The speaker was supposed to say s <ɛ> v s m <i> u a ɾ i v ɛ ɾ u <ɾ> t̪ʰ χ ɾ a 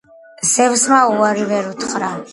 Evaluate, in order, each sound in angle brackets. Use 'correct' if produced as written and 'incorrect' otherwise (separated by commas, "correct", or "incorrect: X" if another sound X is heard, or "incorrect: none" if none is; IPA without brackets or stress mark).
correct, incorrect: a, incorrect: none